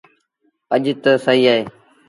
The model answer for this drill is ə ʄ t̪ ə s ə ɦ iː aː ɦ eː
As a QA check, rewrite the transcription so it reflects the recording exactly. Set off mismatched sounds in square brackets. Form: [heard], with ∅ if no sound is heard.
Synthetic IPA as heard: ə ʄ t̪ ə s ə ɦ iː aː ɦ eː